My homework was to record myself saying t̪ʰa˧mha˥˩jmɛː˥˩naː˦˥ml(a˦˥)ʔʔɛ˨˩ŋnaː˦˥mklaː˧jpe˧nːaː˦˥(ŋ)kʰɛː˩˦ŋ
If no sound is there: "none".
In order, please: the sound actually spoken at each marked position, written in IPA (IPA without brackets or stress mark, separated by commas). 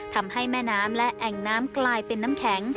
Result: ɛ˦˥, m